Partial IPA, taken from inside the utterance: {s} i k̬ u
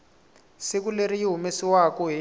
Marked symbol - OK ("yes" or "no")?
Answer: yes